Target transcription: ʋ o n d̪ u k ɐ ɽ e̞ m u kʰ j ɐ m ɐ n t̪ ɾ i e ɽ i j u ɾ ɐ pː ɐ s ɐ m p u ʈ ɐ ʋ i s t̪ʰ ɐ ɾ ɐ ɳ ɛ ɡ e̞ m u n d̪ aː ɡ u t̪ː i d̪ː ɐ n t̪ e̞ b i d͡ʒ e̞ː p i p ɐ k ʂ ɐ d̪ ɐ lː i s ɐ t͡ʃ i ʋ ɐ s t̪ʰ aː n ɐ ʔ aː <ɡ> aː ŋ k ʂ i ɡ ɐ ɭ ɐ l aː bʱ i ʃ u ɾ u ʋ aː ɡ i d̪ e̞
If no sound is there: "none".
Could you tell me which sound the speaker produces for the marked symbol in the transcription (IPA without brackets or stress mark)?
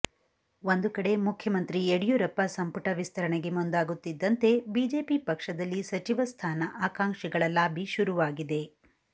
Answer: k